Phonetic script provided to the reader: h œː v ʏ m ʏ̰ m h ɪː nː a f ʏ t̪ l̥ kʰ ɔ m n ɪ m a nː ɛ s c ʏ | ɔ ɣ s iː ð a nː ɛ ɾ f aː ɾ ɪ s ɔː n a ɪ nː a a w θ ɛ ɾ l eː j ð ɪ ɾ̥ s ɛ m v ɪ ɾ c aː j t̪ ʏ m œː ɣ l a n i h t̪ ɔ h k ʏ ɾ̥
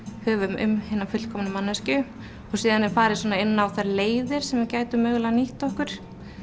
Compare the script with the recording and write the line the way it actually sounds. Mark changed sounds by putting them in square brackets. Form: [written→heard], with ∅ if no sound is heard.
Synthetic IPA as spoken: h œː v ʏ m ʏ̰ m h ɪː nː a f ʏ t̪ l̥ kʰ ɔ m n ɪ m a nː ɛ s c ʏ | ɔ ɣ s iː ð a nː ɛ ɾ f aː ɾ ɪ s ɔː n a ɪ nː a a w θ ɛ ɾ l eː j ð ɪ ɾ̥ s ɛ m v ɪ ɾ c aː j t̪ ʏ m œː ɣ l a n i h t̪ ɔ h k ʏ ɾ̥